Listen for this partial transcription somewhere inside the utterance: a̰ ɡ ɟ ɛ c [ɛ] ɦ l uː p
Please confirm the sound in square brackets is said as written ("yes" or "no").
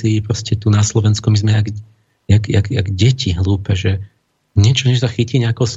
no